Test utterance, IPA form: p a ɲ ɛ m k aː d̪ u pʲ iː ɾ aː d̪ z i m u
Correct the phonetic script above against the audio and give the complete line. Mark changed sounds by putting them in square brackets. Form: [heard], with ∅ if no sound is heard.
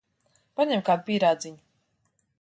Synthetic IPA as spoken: p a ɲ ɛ m k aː d̪ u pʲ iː ɾ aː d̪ z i [ɲ] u